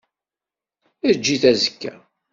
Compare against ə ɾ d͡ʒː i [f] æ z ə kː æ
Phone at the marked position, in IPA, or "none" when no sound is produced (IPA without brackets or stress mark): θ